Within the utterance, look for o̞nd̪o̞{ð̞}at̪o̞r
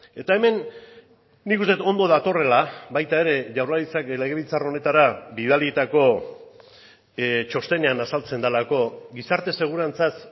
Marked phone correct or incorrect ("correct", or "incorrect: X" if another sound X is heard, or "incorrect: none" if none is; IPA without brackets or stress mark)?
correct